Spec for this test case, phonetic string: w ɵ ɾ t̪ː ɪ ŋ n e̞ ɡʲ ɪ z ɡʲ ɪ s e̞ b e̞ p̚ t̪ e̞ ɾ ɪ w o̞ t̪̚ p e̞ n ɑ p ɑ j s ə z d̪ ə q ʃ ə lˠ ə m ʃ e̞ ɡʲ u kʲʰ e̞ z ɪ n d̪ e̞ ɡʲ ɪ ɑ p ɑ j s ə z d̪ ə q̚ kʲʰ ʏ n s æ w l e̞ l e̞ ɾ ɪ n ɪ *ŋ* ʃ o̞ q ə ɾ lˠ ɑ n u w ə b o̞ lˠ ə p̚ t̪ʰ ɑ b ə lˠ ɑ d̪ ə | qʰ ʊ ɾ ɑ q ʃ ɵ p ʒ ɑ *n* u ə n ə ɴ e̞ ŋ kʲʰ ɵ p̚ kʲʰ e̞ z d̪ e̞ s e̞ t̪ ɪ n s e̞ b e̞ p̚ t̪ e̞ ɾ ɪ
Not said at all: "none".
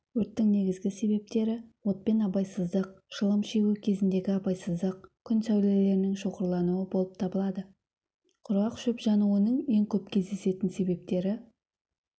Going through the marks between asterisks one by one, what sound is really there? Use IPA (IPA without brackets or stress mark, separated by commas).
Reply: ŋ, n